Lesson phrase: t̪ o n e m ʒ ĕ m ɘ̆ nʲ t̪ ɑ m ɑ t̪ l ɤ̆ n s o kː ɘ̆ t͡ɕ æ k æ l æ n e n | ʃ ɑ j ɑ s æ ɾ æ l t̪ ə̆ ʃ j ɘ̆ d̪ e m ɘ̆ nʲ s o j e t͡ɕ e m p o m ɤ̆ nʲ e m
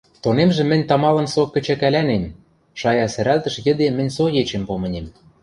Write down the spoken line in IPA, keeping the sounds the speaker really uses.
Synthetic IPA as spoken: t̪ o n e m ʒ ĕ m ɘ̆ nʲ t̪ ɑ m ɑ l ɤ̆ n s o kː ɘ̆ t͡ɕ æ k æ l æ n e m | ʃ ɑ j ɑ s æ ɾ æ l t̪ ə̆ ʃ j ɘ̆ d̪ e m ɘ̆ nʲ s o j e t͡ɕ e m p o m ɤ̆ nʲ e m